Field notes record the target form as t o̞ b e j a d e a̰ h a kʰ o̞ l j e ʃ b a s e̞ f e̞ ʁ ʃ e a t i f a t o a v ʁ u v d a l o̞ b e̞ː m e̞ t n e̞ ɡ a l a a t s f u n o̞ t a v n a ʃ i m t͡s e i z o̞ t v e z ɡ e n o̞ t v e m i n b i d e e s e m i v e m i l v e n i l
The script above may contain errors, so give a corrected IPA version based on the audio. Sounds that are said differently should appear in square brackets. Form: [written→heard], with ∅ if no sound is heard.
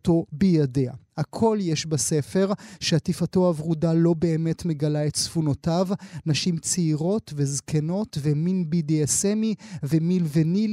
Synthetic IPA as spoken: t o̞ b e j a d e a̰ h a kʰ o̞ l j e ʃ b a s e̞ f e̞ ʁ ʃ e a t i f a t o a v ʁ u [v→∅] d a l o̞ b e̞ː m e̞ t [n→m] e̞ ɡ a l a [a→e] t s f u n o̞ t a v n a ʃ i m t͡s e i [z→ʁ] o̞ t v e z [ɡ→k] e n o̞ t v e m i n b i d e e s e m i v e m i l v e n i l